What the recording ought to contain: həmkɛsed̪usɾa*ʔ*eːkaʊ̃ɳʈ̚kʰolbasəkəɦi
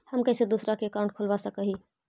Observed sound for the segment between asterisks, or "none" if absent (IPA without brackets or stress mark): k